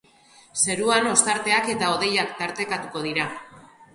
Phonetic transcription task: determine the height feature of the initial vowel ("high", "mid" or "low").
mid